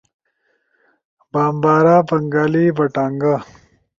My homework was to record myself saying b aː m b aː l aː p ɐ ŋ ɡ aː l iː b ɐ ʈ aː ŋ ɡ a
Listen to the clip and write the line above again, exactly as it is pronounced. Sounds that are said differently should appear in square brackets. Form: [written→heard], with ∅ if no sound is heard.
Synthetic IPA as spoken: b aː m b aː [l→ɾ] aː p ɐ ŋ ɡ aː l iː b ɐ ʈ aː ŋ ɡ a